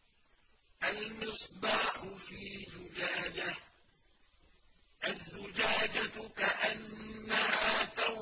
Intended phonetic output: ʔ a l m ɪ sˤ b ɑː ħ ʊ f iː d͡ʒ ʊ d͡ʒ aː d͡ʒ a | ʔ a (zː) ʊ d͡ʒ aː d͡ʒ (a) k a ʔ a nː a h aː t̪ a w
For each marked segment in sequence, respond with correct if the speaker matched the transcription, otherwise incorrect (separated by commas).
correct, correct